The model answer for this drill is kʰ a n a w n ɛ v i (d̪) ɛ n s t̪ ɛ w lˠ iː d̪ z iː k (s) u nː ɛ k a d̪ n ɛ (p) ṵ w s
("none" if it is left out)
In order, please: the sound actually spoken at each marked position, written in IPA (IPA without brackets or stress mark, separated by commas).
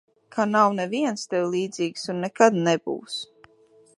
none, s, b